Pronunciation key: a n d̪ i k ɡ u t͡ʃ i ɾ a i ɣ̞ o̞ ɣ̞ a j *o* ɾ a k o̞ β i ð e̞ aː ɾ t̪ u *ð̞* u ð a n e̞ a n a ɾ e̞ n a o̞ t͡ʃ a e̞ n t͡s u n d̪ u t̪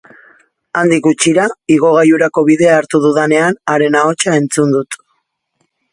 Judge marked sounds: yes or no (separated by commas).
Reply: no, yes